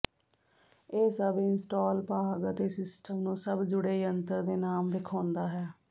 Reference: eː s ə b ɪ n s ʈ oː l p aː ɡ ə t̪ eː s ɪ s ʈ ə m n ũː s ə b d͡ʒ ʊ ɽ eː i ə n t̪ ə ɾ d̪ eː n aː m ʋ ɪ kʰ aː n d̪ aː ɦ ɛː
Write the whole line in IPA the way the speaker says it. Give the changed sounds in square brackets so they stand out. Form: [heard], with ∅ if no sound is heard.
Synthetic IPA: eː s ə b ɪ n s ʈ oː l p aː ɡ ə t̪ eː s ɪ s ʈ ə m n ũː s ə b d͡ʒ ʊ ɽ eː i ə n t̪ ə ɾ d̪ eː n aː m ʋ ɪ kʰ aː n d̪ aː ɦ ɛː